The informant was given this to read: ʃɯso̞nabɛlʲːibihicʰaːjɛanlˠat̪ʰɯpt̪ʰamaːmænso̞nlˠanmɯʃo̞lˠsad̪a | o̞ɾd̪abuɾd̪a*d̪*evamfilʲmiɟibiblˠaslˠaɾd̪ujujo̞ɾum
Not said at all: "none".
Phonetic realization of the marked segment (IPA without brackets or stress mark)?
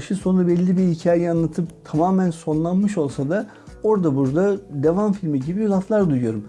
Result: d̪